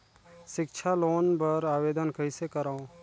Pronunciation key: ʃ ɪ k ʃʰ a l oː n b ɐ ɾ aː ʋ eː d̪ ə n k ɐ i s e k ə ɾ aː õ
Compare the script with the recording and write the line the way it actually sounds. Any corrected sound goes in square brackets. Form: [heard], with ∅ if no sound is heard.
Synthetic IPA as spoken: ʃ ɪ k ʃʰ a l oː n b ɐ ɾ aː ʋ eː d̪ ə n k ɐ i s e k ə ɾ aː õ